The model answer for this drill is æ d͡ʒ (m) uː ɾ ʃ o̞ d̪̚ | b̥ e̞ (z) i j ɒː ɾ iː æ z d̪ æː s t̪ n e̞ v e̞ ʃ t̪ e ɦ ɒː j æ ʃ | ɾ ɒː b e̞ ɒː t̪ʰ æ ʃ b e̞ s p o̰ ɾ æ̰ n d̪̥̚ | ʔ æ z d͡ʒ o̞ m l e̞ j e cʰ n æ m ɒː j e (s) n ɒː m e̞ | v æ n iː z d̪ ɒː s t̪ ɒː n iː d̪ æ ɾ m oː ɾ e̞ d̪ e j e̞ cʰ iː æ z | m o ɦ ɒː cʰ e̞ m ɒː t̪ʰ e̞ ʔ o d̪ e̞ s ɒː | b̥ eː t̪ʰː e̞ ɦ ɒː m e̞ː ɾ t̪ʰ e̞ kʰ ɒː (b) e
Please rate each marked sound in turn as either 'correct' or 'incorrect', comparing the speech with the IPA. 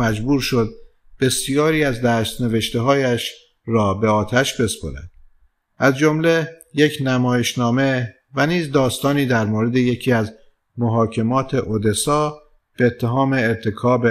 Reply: incorrect: b, incorrect: s, incorrect: ʃ, correct

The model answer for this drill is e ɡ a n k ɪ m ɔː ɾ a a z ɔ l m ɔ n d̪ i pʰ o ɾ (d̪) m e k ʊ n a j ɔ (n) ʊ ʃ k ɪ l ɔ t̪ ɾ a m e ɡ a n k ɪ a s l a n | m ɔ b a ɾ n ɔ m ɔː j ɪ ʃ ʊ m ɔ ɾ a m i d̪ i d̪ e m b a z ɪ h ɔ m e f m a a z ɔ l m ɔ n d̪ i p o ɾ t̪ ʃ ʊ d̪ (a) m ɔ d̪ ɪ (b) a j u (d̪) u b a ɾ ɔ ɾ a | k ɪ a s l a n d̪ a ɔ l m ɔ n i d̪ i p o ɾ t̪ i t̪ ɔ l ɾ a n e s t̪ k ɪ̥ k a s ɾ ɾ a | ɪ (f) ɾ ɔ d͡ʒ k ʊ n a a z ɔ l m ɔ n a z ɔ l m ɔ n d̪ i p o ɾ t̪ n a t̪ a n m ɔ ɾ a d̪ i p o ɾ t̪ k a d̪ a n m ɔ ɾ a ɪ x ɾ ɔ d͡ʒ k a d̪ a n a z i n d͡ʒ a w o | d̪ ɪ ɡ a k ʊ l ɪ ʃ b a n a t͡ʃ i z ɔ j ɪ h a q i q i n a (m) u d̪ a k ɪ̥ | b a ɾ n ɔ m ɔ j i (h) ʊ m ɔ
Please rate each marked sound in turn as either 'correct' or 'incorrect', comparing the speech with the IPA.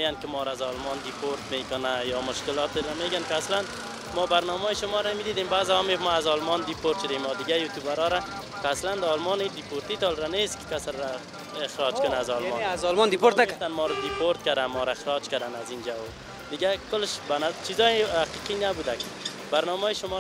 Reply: incorrect: t̪, incorrect: m, incorrect: e, incorrect: ɡ, incorrect: t̪, incorrect: x, incorrect: b, incorrect: ʃ

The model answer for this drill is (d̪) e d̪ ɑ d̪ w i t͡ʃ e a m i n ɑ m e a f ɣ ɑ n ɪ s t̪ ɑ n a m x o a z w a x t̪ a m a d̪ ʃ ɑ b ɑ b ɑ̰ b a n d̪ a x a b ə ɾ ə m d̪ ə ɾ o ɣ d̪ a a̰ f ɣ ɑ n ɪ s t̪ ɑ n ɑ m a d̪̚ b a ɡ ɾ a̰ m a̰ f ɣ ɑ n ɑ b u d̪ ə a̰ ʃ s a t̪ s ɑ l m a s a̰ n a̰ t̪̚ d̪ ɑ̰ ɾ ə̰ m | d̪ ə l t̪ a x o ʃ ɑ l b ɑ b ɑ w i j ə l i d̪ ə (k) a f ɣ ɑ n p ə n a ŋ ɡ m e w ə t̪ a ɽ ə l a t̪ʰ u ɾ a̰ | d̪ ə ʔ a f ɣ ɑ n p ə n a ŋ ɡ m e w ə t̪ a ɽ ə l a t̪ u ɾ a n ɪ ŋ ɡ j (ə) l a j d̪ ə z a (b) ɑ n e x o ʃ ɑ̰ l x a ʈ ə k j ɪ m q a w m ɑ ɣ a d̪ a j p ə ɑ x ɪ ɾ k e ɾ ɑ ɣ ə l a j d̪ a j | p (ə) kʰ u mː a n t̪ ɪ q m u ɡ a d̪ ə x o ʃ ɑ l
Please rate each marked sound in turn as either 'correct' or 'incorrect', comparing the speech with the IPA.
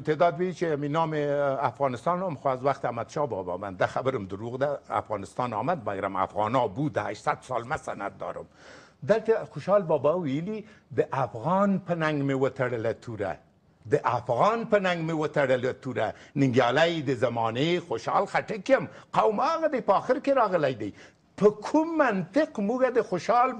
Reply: incorrect: t̪, incorrect: ʔ, incorrect: ɑ, incorrect: m, correct

